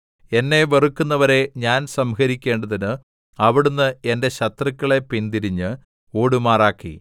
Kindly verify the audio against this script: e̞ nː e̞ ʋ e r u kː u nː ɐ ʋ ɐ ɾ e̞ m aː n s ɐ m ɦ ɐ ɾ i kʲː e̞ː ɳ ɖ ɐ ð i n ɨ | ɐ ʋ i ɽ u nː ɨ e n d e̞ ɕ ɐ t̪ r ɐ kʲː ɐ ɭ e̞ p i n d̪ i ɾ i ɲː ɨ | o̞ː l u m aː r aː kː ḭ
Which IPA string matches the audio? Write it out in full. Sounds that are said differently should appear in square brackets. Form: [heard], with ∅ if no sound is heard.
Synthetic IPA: e̞ nː e̞ ʋ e r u kː u nː ɐ ʋ ɐ ɾ e̞ [ɲ] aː n s ɐ m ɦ ɐ ɾ i kʲː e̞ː ɳ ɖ ɐ ð i n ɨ | ɐ ʋ i ɽ u nː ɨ e n d e̞ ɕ ɐ t̪ r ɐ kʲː ɐ ɭ e̞ p i n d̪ i ɾ i ɲː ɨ | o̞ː [ɽ] u m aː r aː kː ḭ